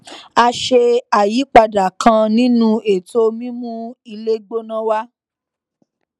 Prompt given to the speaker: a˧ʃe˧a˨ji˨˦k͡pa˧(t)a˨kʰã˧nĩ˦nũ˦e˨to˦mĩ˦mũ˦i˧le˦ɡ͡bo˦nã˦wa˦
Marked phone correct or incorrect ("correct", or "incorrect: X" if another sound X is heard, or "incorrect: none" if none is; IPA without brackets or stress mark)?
incorrect: d